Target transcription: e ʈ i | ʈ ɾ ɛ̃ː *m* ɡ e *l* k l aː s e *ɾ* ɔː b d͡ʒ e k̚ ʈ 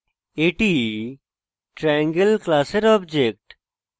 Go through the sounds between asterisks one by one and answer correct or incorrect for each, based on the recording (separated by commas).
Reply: incorrect, correct, correct